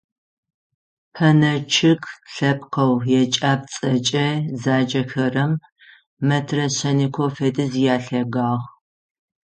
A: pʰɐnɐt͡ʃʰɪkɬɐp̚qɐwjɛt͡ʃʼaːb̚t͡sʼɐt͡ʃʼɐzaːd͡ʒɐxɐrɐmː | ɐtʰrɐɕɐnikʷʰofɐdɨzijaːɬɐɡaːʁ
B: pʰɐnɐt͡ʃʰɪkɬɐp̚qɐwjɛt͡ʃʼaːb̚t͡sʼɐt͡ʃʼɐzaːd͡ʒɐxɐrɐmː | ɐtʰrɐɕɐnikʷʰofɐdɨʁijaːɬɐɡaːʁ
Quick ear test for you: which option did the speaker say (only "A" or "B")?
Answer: A